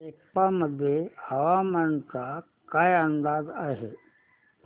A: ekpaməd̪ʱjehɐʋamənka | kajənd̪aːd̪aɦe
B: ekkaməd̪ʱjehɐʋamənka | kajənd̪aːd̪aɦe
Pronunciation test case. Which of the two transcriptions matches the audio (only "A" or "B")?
A